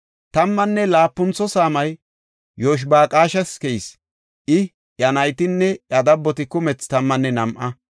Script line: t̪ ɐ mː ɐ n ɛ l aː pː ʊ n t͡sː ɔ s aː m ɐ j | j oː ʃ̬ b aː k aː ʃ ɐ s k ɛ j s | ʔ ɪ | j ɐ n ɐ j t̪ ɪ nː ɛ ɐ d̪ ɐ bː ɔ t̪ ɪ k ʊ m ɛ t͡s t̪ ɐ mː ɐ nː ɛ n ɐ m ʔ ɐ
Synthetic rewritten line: t̪ ɐ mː ɐ nː ɛ l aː pː ʊ n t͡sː ɔ s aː m ɐ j | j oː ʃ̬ b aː kʼ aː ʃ ɐ s k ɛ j s | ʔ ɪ | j ɐ n ɐ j t̪ ɪ nː ɛ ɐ d̪ ɐ bː ɔ t̪ ɪ k ʊ m ɛ t͡s t̪ ɐ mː ɐ nː ɛ n ɐ m ʔ ɐ